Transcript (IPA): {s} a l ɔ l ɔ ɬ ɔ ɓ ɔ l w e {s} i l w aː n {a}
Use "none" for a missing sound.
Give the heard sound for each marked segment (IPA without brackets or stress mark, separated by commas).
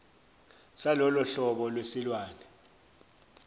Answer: s, s, ɛ